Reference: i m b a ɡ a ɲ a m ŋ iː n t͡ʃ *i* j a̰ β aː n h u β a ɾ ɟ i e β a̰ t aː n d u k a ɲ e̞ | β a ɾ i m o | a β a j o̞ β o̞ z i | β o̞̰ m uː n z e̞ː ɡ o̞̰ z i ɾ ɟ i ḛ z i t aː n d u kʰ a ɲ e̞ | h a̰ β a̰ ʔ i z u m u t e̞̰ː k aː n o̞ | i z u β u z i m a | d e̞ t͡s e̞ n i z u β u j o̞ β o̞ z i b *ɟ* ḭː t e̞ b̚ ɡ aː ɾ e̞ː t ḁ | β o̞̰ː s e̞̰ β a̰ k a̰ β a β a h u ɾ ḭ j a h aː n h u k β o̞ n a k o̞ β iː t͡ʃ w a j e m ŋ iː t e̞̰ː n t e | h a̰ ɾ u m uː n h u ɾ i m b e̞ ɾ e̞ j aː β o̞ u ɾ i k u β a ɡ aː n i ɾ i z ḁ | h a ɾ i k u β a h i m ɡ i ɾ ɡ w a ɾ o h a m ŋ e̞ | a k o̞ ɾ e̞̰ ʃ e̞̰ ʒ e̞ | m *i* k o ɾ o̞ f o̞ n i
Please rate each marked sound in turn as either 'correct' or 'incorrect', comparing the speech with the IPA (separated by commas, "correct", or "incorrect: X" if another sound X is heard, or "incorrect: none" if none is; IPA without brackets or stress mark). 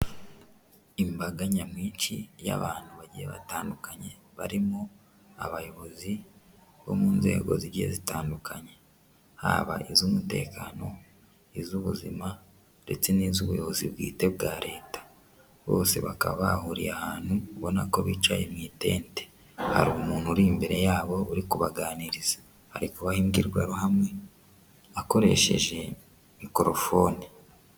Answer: correct, incorrect: ɡ, correct